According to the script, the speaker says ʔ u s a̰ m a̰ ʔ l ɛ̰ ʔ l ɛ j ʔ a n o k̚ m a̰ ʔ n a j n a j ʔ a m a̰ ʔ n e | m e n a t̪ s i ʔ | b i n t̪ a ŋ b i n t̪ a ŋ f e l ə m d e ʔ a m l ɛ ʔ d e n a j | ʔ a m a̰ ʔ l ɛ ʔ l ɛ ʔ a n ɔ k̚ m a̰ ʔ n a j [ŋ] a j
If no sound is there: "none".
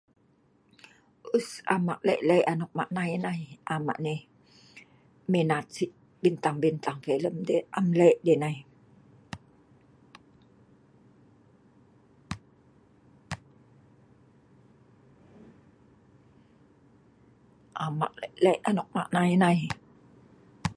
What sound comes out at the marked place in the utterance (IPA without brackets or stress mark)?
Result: n